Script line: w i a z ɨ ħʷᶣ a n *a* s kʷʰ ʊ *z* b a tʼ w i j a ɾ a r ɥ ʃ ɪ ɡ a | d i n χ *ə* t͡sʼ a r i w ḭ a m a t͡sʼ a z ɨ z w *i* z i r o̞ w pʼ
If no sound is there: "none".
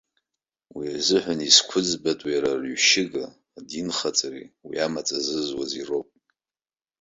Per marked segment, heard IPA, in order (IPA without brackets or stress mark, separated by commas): i, d͡z, a, a